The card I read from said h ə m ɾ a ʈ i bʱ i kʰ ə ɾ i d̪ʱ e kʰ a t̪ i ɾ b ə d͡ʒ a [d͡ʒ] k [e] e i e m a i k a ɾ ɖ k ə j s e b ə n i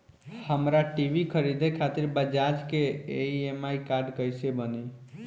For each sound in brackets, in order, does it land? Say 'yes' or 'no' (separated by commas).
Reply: yes, yes